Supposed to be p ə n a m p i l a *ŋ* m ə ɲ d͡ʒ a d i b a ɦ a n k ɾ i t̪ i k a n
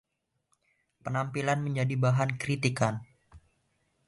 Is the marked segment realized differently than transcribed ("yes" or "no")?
yes